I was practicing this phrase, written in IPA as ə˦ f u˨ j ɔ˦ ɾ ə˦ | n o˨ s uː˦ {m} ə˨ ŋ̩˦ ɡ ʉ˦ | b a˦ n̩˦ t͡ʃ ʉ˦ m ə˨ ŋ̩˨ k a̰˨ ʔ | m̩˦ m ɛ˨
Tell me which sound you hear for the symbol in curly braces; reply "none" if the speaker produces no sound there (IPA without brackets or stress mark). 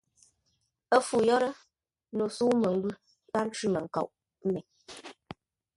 m